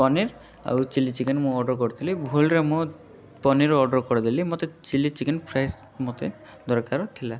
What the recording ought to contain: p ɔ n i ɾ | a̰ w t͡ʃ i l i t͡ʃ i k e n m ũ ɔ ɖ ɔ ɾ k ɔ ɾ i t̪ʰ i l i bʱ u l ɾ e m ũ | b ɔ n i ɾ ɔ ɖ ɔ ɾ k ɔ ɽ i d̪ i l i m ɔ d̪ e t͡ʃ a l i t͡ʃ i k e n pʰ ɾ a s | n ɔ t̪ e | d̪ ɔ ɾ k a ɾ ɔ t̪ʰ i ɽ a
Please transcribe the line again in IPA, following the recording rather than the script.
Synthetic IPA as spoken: p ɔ n i ɾ | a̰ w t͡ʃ i l i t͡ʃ i k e n m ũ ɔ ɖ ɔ ɾ k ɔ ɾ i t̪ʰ i l i bʱ u l ɾ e m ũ | p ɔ n i ɾ ɔ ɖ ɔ ɾ k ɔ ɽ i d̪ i l i m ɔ t̪ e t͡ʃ i l i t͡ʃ i k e n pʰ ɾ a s | m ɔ t̪ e | d̪ ɔ ɾ k a ɾ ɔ t̪ʰ i l a